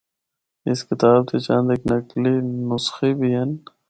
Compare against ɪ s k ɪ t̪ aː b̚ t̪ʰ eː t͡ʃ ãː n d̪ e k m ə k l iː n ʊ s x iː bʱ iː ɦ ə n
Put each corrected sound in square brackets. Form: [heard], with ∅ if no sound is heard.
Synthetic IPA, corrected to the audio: ɪ s k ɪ t̪ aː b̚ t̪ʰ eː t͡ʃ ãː n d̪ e k [n] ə k l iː n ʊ s x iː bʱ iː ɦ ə n

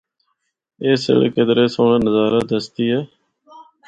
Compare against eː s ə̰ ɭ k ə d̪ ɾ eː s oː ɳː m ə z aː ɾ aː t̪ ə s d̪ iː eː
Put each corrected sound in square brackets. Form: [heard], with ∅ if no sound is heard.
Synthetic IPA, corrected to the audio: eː s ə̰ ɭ k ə d̪ ɾ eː s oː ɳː [n] ə z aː ɾ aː [d̪] ə s [t̪] iː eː

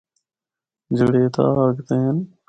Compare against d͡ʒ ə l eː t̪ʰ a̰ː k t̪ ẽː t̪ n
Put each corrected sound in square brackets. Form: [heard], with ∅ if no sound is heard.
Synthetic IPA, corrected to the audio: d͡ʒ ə [ɽ] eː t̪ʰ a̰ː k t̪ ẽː [∅] n

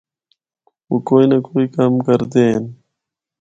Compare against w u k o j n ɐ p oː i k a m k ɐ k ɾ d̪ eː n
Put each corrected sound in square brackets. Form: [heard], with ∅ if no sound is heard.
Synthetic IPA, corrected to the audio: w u k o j n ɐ [k] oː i k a m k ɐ [∅] ɾ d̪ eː n

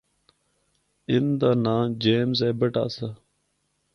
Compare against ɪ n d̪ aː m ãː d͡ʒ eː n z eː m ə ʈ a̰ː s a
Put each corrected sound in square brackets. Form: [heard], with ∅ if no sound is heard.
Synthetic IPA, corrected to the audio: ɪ n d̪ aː [n] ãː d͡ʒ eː [m] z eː [b] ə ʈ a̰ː s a

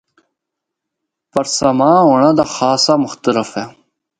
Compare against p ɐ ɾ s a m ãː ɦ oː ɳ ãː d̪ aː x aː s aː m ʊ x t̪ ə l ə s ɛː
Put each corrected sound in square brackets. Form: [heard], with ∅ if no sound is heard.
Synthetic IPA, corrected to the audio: p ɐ ɾ s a m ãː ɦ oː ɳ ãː d̪ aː x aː s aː m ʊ x t̪ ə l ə [f] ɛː

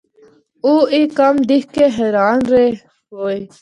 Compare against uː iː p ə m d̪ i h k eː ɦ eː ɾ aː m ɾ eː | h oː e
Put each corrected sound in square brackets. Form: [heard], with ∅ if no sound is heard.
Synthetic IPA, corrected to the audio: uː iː [k] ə m d̪ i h k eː ɦ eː ɾ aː [n] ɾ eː | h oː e

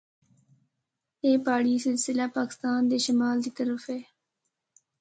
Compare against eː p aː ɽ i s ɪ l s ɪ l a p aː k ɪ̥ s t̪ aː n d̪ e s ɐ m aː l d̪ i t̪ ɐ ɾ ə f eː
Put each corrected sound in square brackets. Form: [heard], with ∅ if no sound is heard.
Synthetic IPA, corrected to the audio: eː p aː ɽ i s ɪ l s ɪ l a p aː k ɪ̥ s t̪ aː n d̪ e [ʃ] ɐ m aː l d̪ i t̪ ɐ ɾ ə f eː

